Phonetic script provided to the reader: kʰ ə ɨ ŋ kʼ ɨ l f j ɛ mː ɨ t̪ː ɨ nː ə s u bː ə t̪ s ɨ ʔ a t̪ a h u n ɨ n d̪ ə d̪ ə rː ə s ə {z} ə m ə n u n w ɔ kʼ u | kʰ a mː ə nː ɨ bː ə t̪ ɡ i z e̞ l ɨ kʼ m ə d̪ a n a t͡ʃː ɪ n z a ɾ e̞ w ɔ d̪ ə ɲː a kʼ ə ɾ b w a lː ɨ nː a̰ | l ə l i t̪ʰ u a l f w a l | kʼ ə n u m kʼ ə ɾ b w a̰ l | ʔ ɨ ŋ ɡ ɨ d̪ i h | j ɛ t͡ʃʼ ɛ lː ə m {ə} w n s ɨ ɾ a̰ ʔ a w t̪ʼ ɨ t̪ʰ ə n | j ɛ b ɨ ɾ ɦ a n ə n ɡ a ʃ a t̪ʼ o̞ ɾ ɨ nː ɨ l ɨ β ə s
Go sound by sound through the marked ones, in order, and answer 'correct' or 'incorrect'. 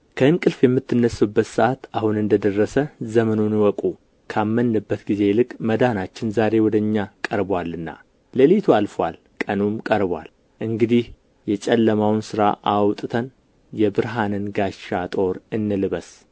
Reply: correct, incorrect: a

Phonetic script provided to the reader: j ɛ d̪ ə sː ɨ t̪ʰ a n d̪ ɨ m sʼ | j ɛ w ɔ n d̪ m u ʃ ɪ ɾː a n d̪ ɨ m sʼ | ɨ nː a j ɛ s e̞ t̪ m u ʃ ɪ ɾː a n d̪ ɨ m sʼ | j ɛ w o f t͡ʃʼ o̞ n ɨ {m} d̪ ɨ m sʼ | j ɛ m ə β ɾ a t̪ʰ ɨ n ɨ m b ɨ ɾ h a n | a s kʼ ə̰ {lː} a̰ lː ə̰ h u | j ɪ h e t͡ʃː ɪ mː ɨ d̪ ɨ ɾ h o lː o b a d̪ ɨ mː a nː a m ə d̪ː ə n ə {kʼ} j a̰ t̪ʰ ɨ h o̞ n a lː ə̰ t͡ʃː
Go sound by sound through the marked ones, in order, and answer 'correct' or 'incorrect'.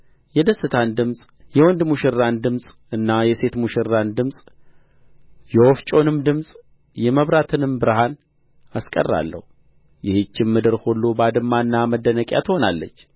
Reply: correct, incorrect: rː, correct

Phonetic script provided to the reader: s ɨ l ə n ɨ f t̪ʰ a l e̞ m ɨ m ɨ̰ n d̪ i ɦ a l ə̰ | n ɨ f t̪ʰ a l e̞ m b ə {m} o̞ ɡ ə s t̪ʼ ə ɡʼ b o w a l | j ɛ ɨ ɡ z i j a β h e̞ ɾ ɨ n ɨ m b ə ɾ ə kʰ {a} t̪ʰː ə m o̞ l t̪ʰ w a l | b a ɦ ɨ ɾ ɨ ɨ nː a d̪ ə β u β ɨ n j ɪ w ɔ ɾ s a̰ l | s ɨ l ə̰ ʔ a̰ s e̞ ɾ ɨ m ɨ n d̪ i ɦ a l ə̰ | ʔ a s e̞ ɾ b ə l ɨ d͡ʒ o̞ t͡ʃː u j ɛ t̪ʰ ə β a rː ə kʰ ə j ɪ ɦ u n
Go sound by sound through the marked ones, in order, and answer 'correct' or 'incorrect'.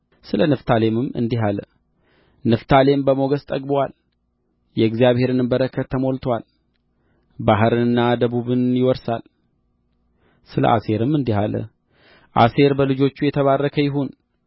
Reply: correct, incorrect: ə

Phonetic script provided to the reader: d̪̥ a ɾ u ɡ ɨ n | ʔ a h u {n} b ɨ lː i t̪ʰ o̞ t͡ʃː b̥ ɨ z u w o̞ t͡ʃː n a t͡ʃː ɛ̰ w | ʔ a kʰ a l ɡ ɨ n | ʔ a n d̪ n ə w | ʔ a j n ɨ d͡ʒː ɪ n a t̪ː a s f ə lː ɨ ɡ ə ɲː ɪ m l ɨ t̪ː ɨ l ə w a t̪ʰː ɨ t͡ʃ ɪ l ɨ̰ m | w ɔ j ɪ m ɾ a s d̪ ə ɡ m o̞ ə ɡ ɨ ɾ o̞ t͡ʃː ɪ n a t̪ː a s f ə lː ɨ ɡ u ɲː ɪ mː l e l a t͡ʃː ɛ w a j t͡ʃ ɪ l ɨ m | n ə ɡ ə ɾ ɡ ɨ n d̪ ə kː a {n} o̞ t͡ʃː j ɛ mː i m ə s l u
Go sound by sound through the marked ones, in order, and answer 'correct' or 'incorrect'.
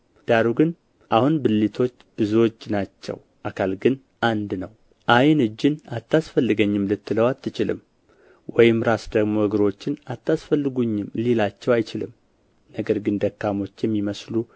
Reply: correct, incorrect: m

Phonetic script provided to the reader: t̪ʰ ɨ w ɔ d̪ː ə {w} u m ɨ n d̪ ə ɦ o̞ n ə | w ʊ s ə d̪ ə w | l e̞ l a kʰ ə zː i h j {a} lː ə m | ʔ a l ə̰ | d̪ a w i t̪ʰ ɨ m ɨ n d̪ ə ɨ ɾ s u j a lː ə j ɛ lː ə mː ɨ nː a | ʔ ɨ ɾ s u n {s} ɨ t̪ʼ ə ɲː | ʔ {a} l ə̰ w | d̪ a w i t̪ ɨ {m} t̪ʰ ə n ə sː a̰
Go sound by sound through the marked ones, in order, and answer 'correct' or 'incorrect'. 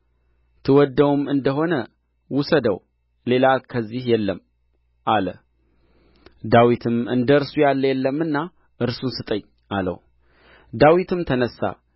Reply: correct, incorrect: ɛ, correct, correct, correct

